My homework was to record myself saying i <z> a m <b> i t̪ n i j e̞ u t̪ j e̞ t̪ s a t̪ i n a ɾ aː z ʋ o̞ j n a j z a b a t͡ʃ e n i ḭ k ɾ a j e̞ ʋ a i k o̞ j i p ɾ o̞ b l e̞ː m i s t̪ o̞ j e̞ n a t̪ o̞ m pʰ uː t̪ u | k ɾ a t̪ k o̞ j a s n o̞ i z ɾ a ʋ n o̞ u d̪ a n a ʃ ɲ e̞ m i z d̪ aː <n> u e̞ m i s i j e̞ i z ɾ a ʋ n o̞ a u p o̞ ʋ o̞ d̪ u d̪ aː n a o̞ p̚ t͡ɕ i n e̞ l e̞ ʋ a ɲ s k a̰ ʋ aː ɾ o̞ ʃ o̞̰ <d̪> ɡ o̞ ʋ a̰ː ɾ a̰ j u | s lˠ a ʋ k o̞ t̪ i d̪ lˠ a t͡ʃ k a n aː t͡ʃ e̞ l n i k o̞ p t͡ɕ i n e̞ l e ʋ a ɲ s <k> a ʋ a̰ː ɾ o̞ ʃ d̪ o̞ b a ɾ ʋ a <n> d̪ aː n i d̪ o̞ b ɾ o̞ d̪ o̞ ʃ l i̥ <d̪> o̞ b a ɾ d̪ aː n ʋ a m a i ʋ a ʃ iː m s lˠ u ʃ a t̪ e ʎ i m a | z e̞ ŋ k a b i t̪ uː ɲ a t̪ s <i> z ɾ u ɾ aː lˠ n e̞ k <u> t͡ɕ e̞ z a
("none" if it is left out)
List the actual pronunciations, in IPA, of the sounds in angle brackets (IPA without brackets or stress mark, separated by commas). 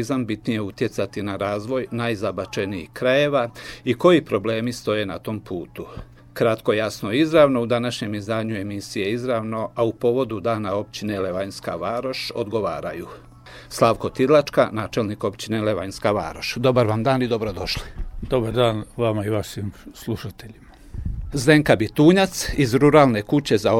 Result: z, b, ɲ, d̪, k, m, d̪, i, u